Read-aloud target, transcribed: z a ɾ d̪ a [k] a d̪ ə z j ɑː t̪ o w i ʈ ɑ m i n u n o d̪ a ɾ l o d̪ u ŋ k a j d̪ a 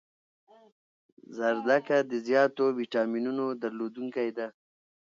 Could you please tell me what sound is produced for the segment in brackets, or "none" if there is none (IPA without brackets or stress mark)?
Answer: k